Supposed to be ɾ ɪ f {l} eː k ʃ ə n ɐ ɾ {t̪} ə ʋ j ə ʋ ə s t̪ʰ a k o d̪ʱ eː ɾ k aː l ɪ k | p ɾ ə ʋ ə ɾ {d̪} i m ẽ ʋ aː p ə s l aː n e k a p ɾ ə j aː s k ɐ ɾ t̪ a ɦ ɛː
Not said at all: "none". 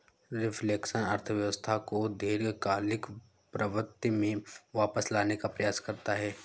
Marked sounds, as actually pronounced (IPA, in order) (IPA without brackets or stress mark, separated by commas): l, t̪ʰ, t̪